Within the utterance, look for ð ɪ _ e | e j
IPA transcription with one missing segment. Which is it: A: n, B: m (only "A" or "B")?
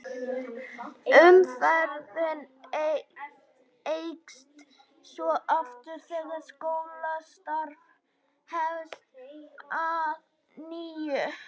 A